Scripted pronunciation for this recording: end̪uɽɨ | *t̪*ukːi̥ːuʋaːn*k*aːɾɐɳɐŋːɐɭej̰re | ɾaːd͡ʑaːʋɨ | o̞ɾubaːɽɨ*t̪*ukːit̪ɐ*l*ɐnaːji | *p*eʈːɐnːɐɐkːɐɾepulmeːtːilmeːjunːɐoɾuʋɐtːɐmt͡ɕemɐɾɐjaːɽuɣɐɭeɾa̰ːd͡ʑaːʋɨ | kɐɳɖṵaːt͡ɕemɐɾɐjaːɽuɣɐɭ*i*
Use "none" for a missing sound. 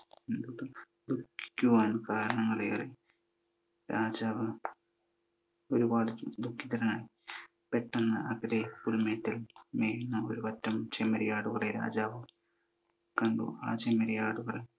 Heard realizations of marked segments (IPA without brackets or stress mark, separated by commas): d̪, k, d̪, ɾ, p, e